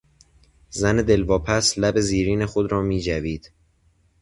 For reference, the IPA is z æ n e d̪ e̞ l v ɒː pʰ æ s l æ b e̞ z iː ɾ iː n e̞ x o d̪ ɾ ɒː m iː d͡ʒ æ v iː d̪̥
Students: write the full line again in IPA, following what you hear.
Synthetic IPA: z æ n e d̪ e̞ l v ɒː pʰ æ s l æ b e̞ z iː ɾ iː n e̞ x o d̪ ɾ ɒː m iː d͡ʒ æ v iː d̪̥